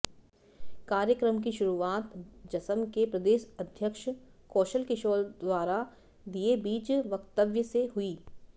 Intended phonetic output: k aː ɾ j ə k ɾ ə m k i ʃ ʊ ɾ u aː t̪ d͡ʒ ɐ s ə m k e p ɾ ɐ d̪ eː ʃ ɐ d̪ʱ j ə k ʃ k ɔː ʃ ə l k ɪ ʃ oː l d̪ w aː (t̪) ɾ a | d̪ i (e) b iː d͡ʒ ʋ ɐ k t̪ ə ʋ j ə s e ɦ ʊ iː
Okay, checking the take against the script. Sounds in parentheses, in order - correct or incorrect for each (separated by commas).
incorrect, correct